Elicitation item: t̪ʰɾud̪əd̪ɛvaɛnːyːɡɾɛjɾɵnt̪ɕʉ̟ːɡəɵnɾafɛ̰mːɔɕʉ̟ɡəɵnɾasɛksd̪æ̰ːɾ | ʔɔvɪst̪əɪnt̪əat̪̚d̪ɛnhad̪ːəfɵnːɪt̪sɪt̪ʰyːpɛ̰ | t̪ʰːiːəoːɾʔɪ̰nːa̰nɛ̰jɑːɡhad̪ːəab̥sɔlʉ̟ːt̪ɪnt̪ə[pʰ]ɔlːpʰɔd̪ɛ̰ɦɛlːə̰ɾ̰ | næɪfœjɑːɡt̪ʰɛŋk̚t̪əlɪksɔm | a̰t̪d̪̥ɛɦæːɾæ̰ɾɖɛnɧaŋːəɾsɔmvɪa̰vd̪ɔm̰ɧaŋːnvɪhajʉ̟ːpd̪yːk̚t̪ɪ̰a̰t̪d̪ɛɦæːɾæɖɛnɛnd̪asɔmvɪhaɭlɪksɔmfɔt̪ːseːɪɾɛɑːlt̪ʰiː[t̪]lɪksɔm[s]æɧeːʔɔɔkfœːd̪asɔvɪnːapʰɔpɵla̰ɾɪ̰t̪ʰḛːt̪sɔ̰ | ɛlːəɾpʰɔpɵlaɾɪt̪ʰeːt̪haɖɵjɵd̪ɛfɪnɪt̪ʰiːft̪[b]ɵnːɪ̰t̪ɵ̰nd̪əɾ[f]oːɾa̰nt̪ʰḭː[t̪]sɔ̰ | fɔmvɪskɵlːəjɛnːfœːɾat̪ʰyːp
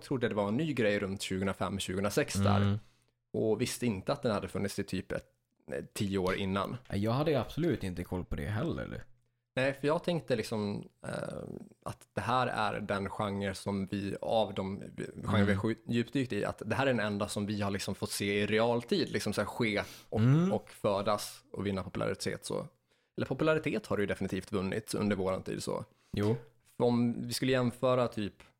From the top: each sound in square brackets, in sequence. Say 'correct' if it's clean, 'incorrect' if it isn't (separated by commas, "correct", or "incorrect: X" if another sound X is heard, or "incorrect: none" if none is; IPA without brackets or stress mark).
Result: incorrect: kʰ, incorrect: d̪, correct, incorrect: v, incorrect: v, incorrect: d̪